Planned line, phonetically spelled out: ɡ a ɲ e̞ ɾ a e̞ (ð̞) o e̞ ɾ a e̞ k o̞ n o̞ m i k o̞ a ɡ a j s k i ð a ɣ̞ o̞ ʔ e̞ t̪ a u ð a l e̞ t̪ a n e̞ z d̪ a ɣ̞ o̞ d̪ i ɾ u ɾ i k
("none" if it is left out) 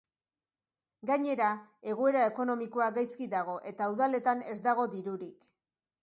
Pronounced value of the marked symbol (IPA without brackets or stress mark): ɣ̞